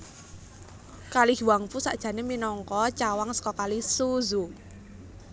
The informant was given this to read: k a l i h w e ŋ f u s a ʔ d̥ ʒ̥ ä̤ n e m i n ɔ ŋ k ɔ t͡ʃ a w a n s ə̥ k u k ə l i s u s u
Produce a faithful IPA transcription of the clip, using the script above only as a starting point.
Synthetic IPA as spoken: k a l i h w a ŋ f u s a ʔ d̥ ʒ̥ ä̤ n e m i n ɔ ŋ k ɔ t͡ʃ a w a ŋ s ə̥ k ɔ k a l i s u z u